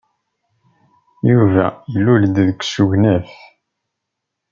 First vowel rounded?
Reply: yes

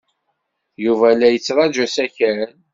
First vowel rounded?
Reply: yes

